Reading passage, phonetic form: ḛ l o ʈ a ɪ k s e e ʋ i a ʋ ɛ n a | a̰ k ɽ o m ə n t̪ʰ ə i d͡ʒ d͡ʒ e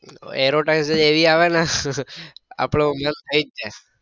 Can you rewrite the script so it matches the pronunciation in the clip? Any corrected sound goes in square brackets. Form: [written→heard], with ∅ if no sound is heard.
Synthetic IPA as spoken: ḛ [l→ɾ] o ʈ a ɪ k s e e ʋ i a ʋ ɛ n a | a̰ [k→p] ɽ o m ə n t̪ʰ ə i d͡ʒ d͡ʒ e